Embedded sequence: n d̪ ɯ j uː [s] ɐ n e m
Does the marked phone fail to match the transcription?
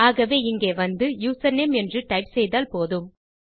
no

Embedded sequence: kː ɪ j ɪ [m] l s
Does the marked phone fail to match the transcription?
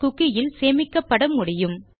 yes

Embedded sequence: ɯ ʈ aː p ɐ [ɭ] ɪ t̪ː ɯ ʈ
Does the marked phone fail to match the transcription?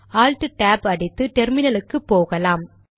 yes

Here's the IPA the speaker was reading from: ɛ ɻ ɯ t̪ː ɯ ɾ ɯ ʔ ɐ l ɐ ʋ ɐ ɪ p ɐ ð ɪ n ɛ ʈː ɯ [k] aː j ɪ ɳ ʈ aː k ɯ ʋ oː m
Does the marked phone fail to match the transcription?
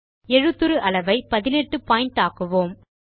yes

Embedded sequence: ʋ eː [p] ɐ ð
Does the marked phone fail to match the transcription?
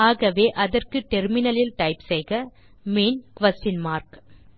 yes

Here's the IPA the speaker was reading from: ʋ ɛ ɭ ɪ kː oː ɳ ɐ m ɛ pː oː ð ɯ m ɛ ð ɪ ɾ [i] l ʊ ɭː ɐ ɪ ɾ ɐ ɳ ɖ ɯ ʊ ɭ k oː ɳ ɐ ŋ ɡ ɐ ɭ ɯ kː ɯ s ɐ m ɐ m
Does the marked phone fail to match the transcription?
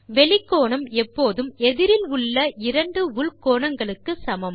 yes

